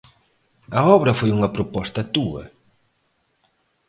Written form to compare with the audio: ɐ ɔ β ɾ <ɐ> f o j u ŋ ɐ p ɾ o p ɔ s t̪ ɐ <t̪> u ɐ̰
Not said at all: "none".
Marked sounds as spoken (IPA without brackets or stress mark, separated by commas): ɐ, t̪